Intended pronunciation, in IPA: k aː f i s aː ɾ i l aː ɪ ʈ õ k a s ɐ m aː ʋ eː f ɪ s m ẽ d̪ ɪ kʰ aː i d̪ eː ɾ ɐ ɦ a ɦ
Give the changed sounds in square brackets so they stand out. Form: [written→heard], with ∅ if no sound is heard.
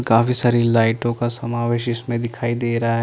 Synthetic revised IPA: k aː f i s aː ɾ i l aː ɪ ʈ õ k a s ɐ m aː ʋ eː [f→ʃ] ɪ s m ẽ d̪ ɪ kʰ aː i d̪ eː ɾ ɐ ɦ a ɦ